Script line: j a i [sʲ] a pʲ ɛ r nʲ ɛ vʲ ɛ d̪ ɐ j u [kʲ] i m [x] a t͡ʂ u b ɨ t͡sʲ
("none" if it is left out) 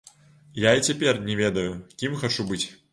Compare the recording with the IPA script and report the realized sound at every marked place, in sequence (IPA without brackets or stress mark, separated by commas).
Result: t͡sʲ, kʲ, x